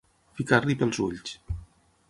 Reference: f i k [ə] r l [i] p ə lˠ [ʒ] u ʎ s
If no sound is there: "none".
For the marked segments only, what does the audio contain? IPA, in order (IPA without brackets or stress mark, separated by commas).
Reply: a, i, z